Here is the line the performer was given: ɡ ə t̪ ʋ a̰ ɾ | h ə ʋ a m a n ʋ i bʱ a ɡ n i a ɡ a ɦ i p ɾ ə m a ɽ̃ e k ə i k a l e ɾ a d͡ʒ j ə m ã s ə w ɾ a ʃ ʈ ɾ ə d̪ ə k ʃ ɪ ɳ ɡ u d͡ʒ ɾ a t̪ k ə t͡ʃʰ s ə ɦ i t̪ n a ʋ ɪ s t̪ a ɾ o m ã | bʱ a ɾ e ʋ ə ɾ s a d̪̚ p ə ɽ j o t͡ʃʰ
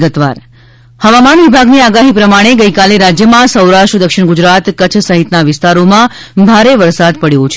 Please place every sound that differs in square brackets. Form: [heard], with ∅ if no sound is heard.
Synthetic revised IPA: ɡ ə t̪ ʋ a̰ ɾ | h ə ʋ a m a n ʋ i bʱ a ɡ n i a ɡ a ɦ i p ɾ ə m a ɽ̃ e [ɡ] ə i k a l e ɾ a d͡ʒ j ə m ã s ə w ɾ a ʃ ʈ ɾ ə d̪ ə k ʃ ɪ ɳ ɡ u d͡ʒ ɾ a t̪ k ə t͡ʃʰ s ə ɦ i t̪ n a ʋ ɪ s t̪ a ɾ o m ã | bʱ a ɾ e ʋ ə ɾ s a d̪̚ p ə ɽ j o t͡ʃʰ

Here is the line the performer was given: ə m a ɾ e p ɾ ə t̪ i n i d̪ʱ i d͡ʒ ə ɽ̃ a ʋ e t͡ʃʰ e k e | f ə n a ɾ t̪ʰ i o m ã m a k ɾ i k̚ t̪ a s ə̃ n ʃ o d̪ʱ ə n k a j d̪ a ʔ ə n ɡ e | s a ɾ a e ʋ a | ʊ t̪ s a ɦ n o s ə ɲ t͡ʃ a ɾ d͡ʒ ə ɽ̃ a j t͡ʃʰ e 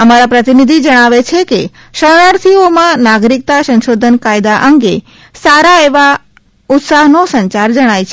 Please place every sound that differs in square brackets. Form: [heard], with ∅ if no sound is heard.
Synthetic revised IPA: ə m a ɾ [a] p ɾ ə t̪ i n i d̪ʱ i d͡ʒ ə ɽ̃ a ʋ e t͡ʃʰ e k e | [ʃ] ə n a ɾ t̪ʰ i o m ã [n] a [ɡ] ɾ i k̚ t̪ a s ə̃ n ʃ o d̪ʱ ə n k a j d̪ a ʔ ə [ŋ] ɡ e | s a ɾ a e ʋ a | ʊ t̪ s a ɦ n o s ə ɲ t͡ʃ a ɾ d͡ʒ ə ɽ̃ a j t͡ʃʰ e

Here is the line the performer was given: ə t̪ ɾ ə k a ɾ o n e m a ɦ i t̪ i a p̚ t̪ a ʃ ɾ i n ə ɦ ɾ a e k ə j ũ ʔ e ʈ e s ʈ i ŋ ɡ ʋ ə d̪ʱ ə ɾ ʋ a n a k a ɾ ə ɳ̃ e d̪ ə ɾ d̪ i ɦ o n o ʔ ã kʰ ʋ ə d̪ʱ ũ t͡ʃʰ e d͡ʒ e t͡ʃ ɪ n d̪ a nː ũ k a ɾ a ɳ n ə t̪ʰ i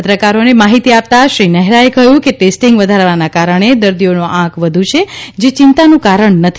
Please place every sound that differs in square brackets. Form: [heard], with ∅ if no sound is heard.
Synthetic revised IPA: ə t̪ ɾ ə k a ɾ o n e m a ɦ i t̪ i a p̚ t̪ a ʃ ɾ i n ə ɦ ɾ a e k ə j ũ [k] e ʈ e s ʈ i ŋ ɡ ʋ ə d̪ʱ [a] ɾ ʋ a n a k a ɾ ə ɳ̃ e d̪ ə ɾ d̪ i [∅] o n o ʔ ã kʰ ʋ ə d̪ʱ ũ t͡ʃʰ e d͡ʒ e t͡ʃ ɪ n [t̪] a [n] ũ k a ɾ [ə] ɳ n ə t̪ʰ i

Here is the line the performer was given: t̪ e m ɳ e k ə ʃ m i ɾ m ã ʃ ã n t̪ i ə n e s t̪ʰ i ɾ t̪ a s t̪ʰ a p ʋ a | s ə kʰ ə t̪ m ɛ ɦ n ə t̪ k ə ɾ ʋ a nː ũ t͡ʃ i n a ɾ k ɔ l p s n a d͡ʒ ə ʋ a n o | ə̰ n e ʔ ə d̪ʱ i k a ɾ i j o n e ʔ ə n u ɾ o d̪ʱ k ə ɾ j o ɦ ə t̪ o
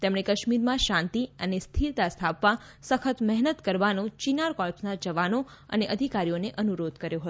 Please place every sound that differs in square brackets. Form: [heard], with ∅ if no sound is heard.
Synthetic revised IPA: t̪ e m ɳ e k ə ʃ m i ɾ m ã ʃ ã n t̪ i ə n e s t̪ʰ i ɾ t̪ a s t̪ʰ a p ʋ a | s ə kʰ ə t̪ m ɛ ɦ n ə t̪ k ə ɾ ʋ a [n] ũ t͡ʃ i n a ɾ k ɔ l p s n a d͡ʒ ə ʋ a n o | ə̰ n e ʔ ə d̪ʱ i k a ɾ i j o n e ʔ ə n u ɾ o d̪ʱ k ə ɾ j o ɦ ə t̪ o

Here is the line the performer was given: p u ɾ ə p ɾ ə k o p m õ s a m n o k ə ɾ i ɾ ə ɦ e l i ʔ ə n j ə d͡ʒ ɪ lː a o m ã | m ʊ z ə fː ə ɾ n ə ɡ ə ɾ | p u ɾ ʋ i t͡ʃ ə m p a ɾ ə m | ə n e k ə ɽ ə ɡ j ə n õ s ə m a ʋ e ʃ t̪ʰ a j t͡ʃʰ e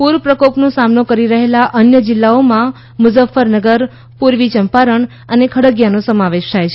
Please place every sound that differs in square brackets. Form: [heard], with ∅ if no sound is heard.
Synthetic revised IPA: p u ɾ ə p ɾ ə k o p [n] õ s a m n o k ə ɾ i ɾ ə ɦ e l [a] ʔ ə n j ə d͡ʒ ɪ lː a o m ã | m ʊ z ə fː ə ɾ n ə ɡ ə ɾ | p u ɾ ʋ i t͡ʃ ə m p a ɾ ə [ɳ] | ə n e [kʰ] ə ɽ ə ɡ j [a] n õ s ə m a ʋ e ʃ t̪ʰ a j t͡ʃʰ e

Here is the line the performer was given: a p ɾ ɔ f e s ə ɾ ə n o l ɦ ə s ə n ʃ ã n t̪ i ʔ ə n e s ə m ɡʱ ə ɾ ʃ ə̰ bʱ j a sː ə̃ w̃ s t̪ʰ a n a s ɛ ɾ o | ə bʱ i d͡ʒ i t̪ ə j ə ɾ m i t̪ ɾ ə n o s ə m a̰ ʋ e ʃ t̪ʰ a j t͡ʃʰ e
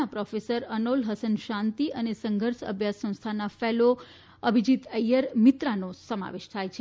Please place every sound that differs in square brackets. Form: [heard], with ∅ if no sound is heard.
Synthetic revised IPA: a p ɾ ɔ f e s ə ɾ ə n o l ɦ ə s ə n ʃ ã n t̪ i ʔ ə n e s ə [ŋ] ɡʱ ə ɾ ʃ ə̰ bʱ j a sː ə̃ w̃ s t̪ʰ a n a [f] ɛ [l] o | ə bʱ i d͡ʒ i t̪ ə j ə ɾ m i t̪ ɾ [a] n o s ə m a̰ ʋ e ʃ t̪ʰ a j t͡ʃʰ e

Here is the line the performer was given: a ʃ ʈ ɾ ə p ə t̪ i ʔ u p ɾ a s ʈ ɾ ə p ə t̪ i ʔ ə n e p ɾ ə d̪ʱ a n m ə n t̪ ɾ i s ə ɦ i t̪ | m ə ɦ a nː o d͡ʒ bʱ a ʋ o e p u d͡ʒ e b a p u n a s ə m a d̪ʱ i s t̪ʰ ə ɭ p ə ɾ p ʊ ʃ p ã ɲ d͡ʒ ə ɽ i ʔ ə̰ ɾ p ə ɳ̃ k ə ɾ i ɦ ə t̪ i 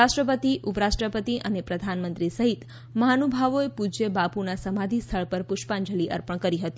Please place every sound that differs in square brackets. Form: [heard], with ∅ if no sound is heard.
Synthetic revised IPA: a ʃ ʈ ɾ ə p ə t̪ i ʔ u p ɾ a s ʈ ɾ ə p ə t̪ i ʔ ə n e p ɾ ə d̪ʱ a n m ə n t̪ ɾ i s ə ɦ i t̪ | m ə ɦ a [n] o [∅] bʱ a ʋ o e p u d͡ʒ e b a p u n a s ə m a d̪ʱ i s t̪ʰ ə ɭ p ə ɾ p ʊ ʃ p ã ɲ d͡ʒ ə [l] i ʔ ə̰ ɾ p ə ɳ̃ k ə ɾ i ɦ ə t̪ i

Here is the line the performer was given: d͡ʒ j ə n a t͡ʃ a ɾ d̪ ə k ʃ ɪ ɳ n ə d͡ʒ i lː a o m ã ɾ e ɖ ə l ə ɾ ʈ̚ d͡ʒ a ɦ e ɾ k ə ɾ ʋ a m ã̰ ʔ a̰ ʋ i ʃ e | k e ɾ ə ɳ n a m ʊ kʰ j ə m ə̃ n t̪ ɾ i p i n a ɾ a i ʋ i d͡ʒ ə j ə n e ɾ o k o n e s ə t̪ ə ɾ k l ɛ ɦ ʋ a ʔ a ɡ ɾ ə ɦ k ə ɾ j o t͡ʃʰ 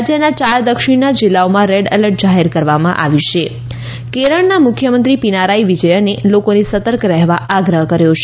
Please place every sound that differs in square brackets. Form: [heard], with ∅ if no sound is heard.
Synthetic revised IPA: d͡ʒ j ə n a t͡ʃ a ɾ d̪ ə k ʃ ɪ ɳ n [a] d͡ʒ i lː a o m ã ɾ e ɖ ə l ə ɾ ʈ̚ d͡ʒ a ɦ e ɾ k ə ɾ ʋ a m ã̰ ʔ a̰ ʋ i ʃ e | k e ɾ ə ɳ n a m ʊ kʰ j ə m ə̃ n t̪ ɾ i p i n a ɾ a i ʋ i d͡ʒ ə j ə n e [l] o k o n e s ə t̪ ə ɾ k [ɾ] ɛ ɦ ʋ a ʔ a ɡ ɾ ə ɦ k ə ɾ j o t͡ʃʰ

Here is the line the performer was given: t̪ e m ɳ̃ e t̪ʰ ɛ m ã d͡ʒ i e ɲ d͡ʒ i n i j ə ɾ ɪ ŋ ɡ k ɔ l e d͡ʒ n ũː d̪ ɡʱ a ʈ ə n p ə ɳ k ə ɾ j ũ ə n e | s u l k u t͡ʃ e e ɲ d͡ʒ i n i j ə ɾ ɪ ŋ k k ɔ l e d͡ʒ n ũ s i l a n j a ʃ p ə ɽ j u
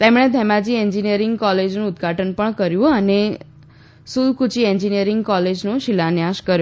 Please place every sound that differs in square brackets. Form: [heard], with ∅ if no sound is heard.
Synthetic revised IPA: t̪ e m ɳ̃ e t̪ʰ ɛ m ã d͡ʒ i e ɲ d͡ʒ i n i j ə ɾ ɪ ŋ ɡ k ɔ l e d͡ʒ n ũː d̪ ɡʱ a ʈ ə n p ə ɳ k ə ɾ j ũ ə n e | s u l k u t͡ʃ [i] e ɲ d͡ʒ i n i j ə ɾ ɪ ŋ [ɡ] k ɔ l e d͡ʒ n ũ [ʃ] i l a n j a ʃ [k] ə [ɾ] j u

